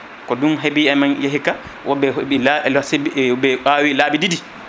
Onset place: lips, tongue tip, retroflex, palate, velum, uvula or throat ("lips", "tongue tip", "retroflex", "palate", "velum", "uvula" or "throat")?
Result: velum